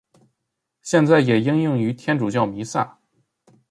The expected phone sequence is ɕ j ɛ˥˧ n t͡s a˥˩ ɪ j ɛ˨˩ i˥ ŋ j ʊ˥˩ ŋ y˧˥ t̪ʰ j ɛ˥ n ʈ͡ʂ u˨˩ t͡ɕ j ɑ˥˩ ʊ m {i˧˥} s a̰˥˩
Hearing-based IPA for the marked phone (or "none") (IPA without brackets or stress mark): i˧˥